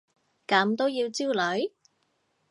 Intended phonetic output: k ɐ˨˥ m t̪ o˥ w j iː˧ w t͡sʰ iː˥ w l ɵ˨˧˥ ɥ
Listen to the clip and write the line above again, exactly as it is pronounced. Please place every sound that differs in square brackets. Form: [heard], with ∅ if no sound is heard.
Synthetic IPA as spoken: k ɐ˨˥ m t̪ o˥ w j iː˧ w [t͡s] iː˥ w l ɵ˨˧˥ ɥ